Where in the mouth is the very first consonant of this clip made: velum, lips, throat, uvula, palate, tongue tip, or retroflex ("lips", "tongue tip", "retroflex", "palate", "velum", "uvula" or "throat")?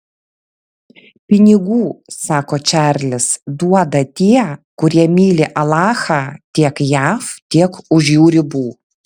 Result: lips